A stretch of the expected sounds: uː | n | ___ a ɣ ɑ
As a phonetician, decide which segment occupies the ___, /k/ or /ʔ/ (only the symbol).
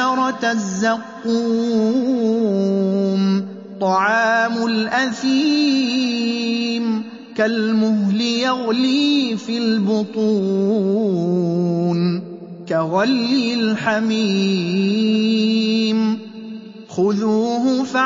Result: k